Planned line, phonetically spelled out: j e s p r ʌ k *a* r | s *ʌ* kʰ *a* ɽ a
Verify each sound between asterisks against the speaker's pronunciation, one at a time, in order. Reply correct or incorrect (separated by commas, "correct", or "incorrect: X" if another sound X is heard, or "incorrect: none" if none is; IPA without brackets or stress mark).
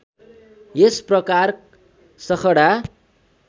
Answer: correct, correct, incorrect: ʌ